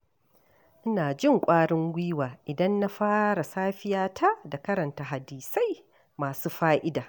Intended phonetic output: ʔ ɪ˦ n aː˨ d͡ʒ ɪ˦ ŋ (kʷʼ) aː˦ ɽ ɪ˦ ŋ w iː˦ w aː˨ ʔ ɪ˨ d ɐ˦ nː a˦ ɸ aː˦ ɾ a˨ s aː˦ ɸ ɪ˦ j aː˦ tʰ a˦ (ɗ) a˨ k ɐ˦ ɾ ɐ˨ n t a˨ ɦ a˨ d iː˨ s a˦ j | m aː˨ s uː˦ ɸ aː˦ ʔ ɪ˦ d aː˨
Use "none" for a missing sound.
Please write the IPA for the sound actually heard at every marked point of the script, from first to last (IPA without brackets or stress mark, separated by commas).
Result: kʷʼ, d